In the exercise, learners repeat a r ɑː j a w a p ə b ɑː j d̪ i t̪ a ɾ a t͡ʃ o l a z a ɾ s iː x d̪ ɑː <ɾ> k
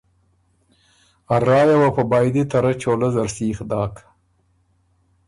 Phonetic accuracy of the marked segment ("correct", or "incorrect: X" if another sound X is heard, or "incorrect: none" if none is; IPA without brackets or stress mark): incorrect: none